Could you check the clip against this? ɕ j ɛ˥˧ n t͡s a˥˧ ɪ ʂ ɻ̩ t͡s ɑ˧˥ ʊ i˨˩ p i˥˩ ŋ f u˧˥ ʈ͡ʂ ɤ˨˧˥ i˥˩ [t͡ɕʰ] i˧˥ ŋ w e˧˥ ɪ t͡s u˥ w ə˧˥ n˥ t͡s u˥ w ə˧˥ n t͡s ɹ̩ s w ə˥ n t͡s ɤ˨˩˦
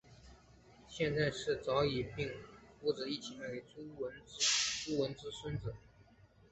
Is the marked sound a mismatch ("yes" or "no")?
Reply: no